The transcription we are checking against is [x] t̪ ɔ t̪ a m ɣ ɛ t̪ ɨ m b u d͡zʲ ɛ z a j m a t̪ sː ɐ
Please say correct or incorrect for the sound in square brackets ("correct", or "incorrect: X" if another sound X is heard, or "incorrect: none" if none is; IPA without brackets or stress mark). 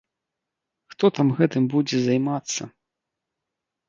correct